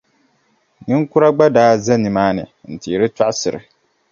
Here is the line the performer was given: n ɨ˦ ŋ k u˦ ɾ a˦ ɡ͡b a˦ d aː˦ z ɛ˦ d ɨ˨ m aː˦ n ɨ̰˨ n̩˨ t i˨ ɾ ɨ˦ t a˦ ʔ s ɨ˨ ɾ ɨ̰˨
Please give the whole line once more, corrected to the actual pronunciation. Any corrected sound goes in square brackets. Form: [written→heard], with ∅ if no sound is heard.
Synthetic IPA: n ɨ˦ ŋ k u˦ ɾ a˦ ɡ͡b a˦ d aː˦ z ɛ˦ [d→n] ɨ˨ m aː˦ n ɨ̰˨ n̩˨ t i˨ ɾ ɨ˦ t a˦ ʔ s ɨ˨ ɾ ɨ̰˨